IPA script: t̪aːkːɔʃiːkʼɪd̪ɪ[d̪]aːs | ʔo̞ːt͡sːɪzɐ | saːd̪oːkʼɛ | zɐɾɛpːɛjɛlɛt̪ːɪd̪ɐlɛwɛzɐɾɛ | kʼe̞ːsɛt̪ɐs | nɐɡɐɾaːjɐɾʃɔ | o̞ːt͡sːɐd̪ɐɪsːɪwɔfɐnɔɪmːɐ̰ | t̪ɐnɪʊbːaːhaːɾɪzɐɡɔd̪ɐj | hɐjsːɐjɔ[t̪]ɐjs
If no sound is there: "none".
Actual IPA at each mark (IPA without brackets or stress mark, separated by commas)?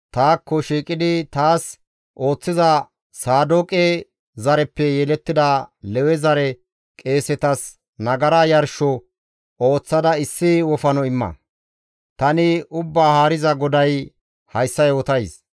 t̪, t̪